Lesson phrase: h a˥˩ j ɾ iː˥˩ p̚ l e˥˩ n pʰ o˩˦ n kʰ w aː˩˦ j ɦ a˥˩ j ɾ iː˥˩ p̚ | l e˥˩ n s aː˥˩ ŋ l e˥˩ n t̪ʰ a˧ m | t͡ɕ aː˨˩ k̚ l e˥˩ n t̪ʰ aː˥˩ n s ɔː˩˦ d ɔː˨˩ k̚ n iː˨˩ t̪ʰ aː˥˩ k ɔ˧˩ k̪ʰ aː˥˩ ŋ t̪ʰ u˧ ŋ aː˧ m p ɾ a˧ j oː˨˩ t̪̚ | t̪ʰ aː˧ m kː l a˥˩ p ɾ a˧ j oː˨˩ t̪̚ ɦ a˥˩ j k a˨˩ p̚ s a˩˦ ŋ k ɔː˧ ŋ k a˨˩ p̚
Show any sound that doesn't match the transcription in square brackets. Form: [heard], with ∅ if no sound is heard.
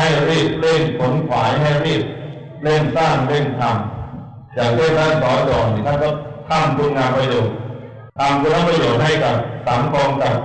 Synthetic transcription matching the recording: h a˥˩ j ɾ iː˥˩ p̚ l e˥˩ n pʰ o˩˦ n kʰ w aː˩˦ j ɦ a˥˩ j ɾ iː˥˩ p̚ | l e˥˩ n s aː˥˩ ŋ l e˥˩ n t̪ʰ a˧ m | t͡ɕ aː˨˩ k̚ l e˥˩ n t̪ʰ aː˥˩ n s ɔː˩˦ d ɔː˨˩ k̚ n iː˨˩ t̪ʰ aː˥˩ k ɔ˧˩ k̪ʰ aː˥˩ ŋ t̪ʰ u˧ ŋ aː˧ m p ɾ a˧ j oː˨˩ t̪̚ | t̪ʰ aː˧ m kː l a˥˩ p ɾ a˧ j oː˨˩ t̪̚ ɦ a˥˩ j k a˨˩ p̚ s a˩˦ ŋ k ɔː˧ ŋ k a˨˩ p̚

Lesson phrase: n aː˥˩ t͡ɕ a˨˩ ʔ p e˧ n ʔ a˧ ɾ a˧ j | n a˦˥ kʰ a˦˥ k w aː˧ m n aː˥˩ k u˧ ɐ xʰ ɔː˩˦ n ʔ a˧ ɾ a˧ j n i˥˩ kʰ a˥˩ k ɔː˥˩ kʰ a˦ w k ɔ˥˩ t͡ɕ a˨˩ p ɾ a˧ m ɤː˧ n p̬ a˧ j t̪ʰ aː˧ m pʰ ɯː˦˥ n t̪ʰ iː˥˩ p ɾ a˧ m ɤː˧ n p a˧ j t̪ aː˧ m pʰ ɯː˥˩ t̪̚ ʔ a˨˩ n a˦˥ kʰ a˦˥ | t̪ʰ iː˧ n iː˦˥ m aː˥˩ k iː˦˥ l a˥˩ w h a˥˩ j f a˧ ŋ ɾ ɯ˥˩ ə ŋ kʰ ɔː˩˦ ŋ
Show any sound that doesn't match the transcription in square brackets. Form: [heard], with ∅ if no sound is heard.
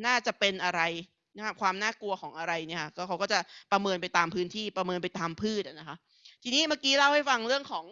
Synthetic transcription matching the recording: n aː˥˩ t͡ɕ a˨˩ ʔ p e˧ n ʔ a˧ ɾ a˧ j | n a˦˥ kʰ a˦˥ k w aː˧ m n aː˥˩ k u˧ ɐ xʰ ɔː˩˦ [ŋ] ʔ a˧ ɾ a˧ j n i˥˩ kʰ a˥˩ k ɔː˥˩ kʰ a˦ w k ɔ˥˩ t͡ɕ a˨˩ p ɾ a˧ m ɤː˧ n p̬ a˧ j [t̪] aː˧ m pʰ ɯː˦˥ n t̪ʰ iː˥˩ p ɾ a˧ m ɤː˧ n p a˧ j t̪ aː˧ m pʰ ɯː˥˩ t̪̚ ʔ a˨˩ n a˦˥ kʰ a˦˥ | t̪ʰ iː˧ n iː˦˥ m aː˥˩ k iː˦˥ l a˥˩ w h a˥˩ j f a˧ ŋ ɾ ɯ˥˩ ə ŋ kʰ ɔː˩˦ ŋ

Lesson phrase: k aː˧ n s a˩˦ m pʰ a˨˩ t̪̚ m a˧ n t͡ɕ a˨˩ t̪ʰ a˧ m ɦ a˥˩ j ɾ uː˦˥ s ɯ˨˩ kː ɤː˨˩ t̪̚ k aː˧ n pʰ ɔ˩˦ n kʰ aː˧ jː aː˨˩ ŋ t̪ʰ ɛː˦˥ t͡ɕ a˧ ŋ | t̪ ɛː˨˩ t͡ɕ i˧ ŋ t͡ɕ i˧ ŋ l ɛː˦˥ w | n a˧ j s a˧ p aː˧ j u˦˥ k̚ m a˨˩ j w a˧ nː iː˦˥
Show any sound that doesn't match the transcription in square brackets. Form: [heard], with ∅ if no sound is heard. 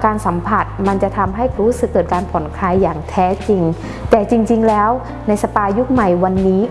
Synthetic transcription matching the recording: k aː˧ n s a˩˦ m pʰ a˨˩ t̪̚ m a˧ n t͡ɕ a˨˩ t̪ʰ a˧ m ɦ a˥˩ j ɾ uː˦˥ s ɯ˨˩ kː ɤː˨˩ t̪̚ k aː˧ n pʰ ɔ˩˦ n kʰ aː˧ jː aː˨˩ ŋ t̪ʰ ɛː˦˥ t͡ɕ [i˧] ŋ | t̪ ɛː˨˩ t͡ɕ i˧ ŋ t͡ɕ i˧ ŋ l ɛː˦˥ w | n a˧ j s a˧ p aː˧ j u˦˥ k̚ m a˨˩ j w a˧ nː iː˦˥

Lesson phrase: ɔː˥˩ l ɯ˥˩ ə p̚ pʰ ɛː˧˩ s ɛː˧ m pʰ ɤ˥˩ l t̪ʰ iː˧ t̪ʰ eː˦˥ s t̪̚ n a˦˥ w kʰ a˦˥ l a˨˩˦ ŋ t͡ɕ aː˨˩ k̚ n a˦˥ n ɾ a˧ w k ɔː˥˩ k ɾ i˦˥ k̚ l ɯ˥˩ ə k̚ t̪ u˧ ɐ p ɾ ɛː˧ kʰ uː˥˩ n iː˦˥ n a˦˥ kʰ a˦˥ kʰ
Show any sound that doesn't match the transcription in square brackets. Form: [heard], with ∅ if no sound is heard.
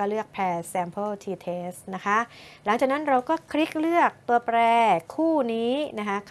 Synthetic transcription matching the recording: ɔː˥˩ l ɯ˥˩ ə [k̚] pʰ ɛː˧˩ s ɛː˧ m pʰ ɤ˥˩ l t̪ʰ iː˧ t̪ʰ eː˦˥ s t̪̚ n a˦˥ [∅] kʰ a˦˥ l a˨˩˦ ŋ t͡ɕ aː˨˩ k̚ n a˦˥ n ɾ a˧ w k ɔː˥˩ [kʰ] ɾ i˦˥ k̚ l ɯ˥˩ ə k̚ t̪ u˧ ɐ p ɾ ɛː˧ kʰ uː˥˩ n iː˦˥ n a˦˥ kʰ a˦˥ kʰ

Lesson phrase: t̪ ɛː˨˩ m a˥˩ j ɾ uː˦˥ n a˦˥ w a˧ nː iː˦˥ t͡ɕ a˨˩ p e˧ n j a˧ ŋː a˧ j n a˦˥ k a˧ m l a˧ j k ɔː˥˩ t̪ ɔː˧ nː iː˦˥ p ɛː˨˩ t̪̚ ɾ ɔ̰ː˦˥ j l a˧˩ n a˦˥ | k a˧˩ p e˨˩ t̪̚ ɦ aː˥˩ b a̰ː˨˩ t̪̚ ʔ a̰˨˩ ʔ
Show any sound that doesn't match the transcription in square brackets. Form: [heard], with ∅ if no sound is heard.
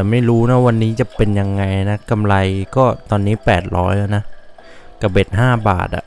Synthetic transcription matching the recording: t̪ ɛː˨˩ m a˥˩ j ɾ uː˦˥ n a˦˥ w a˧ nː iː˦˥ t͡ɕ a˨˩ p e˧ n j a˧ ŋː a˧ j n a˦˥ k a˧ m l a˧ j k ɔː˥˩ t̪ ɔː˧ nː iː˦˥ p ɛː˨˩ t̪̚ ɾ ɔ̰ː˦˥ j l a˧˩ n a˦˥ | k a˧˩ [b] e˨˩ t̪̚ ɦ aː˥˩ b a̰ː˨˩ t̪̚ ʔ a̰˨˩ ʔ

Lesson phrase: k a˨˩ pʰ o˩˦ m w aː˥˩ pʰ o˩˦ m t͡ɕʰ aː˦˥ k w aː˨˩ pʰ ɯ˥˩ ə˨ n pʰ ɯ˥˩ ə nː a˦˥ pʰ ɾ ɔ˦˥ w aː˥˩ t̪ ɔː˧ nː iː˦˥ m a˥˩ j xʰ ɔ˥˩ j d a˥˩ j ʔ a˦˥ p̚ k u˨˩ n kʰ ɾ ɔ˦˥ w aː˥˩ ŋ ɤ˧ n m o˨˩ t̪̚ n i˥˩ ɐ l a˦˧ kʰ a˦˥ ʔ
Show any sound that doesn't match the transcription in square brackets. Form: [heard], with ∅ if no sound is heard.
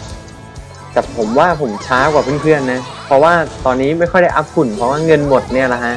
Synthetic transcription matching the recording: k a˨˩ pʰ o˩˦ m w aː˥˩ pʰ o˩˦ m t͡ɕʰ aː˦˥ k w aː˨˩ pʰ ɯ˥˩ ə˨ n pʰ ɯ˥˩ ə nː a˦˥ pʰ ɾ ɔ˦˥ w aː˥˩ t̪ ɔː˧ nː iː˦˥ m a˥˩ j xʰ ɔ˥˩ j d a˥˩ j ʔ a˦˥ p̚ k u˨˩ n [pʰ] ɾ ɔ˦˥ w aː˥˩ ŋ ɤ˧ n m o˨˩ t̪̚ n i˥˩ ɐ l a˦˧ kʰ a˦˥ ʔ

